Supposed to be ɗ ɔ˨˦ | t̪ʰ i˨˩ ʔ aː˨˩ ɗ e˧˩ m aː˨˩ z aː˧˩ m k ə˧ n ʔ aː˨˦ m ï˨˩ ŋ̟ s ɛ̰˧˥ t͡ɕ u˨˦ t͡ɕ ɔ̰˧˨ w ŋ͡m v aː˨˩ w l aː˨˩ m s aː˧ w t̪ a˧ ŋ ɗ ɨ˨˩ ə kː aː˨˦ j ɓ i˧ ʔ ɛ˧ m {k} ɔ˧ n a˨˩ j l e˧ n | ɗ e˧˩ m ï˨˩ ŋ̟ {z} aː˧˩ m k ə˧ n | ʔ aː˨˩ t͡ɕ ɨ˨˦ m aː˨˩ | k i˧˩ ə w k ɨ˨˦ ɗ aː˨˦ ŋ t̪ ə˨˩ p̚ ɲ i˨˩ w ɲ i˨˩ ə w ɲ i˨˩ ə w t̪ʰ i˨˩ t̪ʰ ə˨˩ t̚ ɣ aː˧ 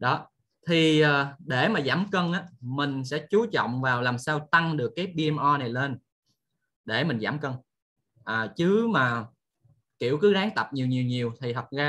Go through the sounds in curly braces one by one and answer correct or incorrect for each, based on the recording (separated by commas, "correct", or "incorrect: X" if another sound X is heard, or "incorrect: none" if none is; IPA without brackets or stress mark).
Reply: incorrect: ʔ, correct